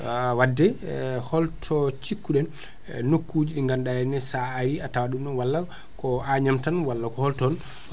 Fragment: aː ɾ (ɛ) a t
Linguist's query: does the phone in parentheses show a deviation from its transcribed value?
yes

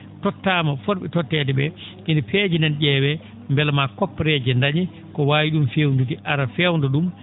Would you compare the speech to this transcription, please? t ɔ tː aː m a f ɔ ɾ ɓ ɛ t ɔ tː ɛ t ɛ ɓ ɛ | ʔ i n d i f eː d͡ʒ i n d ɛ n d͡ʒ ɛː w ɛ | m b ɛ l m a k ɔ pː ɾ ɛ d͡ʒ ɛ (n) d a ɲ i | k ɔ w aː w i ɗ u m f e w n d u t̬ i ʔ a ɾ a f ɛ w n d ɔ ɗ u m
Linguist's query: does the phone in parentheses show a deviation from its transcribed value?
no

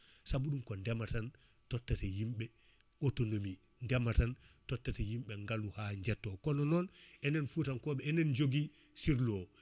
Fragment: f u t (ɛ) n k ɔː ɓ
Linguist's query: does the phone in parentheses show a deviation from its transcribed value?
yes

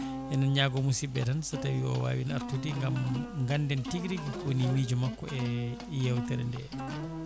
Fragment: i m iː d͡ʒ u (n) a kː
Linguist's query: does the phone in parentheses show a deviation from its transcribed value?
yes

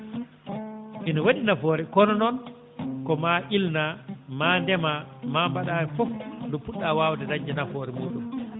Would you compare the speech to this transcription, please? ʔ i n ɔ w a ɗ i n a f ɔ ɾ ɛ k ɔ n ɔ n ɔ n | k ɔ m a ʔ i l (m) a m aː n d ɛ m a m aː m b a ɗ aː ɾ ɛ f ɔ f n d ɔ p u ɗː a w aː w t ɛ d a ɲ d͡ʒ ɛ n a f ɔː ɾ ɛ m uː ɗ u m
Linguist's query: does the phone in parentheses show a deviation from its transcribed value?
yes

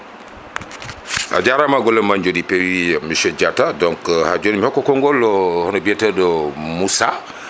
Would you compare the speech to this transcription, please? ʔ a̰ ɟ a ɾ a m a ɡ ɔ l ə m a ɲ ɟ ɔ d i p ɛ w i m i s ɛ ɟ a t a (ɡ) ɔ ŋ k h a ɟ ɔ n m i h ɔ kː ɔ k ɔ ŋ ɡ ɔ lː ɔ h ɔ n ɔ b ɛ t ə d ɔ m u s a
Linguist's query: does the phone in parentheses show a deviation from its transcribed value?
yes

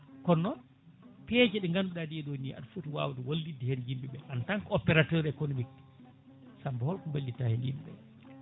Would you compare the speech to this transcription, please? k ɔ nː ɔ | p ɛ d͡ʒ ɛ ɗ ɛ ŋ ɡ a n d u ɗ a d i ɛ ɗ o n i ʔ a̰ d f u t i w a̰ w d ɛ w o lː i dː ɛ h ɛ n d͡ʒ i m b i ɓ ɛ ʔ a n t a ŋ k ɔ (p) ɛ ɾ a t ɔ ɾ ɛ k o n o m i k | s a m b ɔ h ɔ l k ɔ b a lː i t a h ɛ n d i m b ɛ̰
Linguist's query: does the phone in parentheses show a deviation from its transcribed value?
no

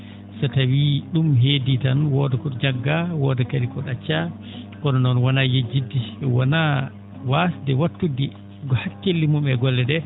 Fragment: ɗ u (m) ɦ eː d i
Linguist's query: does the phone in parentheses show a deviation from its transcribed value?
no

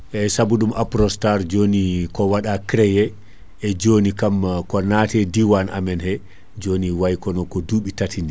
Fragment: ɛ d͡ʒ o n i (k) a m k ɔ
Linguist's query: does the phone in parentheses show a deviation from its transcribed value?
no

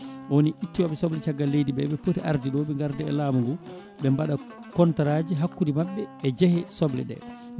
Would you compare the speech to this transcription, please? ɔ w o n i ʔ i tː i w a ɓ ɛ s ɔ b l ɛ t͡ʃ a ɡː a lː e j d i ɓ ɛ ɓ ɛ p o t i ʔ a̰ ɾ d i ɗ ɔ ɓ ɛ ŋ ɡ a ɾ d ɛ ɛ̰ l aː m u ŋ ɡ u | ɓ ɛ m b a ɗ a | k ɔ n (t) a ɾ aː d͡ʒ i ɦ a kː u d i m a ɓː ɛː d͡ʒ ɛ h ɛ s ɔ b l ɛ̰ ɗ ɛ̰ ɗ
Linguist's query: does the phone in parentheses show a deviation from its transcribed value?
no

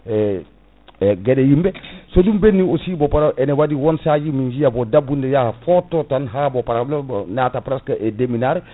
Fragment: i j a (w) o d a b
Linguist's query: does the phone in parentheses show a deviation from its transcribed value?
yes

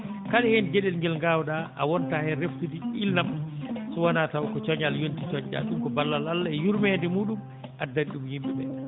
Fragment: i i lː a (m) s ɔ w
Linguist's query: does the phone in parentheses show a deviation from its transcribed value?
no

